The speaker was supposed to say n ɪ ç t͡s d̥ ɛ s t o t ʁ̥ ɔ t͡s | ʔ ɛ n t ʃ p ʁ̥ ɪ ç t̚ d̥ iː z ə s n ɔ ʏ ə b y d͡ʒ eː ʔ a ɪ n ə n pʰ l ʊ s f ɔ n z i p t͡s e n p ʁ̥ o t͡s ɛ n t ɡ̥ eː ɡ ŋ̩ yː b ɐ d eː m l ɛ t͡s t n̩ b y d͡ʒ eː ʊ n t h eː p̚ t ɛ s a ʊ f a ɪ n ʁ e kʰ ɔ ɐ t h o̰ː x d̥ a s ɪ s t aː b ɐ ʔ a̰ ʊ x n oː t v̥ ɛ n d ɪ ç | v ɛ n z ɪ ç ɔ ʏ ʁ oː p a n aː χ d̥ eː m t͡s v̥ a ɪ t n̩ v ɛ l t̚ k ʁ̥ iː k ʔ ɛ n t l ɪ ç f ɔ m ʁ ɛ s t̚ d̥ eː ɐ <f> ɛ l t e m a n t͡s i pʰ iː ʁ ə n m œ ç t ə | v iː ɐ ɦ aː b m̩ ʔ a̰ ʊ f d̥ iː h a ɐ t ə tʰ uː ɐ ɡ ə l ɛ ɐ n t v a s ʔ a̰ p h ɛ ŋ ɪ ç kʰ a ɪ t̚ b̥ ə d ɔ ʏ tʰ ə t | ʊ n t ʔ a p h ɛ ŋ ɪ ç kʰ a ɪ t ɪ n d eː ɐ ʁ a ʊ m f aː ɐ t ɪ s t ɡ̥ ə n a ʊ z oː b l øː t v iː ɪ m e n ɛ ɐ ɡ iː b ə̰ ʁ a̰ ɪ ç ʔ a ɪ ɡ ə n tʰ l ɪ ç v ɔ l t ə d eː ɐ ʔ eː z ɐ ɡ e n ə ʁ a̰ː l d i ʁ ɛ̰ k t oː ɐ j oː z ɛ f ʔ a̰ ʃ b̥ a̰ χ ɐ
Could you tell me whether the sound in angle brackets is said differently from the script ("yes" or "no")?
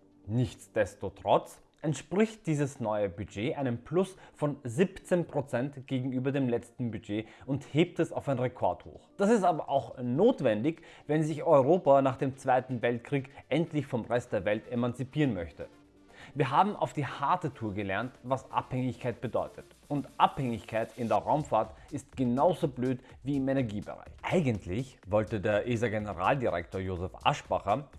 yes